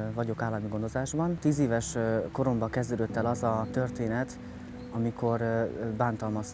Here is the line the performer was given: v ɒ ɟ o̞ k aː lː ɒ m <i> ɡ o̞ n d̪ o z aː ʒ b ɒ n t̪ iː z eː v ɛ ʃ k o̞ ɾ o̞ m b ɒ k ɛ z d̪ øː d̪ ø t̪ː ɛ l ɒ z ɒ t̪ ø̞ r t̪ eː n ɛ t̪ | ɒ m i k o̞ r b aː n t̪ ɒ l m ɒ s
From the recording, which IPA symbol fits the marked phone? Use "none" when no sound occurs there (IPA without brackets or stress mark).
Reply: i